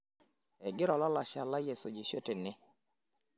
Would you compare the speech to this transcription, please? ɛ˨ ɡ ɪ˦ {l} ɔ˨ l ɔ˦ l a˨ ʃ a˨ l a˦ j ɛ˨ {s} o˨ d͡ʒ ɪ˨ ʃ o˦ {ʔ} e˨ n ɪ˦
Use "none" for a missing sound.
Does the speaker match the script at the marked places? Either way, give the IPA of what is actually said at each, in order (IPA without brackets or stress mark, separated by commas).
ɾ, s, t